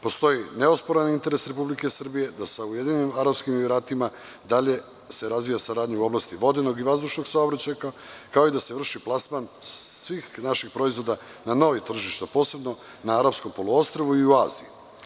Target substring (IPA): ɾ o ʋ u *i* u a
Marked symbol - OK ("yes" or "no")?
yes